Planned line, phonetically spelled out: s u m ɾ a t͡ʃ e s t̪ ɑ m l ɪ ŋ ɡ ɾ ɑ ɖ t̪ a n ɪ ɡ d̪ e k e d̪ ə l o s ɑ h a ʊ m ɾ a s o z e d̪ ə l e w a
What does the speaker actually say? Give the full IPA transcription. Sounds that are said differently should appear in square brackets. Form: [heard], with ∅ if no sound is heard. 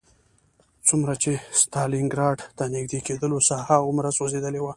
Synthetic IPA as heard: [t͡s] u m ɾ a t͡ʃ e s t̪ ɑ [∅] l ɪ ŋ ɡ ɾ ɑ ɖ t̪ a n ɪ ɡ d̪ e k e d̪ ə l o s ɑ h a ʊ m ɾ a s o z e d̪ ə l e w a